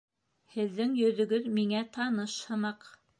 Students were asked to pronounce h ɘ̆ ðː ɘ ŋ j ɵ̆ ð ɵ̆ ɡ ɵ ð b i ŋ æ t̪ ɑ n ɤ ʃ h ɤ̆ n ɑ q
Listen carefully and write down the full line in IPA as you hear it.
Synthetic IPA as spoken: h ɘ̆ ðː ɘ ŋ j ɵ̆ ð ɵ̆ ɡ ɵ ð m i ŋ æ t̪ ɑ n ɤ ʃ h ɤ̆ n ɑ q